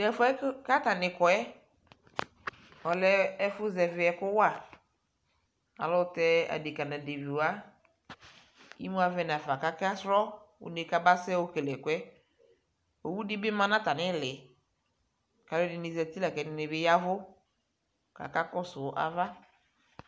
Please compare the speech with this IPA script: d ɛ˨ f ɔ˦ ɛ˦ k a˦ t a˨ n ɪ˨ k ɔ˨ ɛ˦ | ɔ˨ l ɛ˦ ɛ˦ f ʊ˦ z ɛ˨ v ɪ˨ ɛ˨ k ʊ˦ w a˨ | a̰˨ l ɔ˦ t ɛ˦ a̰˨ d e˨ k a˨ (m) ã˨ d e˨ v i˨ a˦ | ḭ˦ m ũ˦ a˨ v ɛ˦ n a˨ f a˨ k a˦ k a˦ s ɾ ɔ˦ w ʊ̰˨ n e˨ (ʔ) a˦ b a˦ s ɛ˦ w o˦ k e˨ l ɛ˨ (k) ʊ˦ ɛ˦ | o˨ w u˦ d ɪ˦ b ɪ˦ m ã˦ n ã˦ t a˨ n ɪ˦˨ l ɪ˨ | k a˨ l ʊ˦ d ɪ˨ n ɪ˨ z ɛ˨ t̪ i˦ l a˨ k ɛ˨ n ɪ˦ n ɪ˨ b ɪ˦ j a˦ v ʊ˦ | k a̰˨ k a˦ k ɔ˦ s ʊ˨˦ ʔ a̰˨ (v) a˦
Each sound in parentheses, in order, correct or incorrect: incorrect: n, incorrect: k, correct, correct

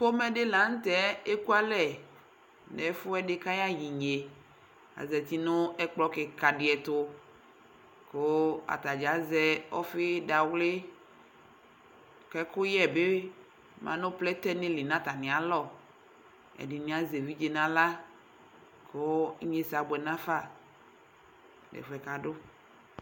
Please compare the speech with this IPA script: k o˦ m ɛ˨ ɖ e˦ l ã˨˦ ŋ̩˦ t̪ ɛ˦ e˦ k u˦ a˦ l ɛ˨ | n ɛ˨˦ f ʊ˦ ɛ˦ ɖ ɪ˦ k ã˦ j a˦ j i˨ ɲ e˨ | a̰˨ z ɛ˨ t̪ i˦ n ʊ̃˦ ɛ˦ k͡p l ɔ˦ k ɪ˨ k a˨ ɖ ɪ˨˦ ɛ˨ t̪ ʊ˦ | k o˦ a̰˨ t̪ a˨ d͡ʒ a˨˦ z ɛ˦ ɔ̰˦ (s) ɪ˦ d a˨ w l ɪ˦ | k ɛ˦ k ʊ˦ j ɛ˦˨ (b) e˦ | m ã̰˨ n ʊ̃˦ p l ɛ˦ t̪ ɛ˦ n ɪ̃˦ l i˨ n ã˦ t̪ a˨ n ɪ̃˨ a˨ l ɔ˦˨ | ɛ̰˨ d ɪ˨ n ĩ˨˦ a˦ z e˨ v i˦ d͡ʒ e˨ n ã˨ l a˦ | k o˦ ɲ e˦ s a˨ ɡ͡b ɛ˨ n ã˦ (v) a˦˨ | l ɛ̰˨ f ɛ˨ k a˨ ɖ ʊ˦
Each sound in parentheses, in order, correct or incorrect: incorrect: f, correct, incorrect: f

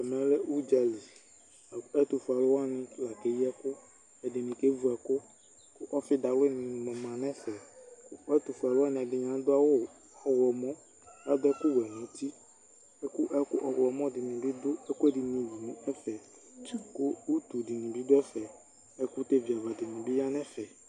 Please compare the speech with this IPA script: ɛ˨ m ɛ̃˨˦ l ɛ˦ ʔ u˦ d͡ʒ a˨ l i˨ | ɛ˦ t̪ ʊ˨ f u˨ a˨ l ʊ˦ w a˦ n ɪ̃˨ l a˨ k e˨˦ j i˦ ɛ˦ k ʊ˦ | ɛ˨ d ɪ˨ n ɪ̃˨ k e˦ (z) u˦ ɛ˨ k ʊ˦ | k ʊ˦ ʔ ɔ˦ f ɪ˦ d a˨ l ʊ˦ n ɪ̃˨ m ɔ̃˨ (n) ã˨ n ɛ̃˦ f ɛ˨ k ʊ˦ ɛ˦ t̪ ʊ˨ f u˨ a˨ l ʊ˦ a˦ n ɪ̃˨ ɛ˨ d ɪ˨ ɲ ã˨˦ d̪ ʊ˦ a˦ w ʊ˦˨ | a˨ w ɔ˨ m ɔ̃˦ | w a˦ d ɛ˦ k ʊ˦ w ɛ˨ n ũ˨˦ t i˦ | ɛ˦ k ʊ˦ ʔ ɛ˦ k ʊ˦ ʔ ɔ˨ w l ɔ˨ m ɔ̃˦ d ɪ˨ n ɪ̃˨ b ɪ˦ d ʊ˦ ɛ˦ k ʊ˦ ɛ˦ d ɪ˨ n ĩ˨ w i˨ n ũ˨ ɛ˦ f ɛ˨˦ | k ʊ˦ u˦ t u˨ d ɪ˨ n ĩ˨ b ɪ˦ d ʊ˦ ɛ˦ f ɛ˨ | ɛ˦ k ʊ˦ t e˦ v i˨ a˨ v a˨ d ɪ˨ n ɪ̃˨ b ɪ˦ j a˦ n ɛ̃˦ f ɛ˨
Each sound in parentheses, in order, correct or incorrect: incorrect: v, incorrect: m

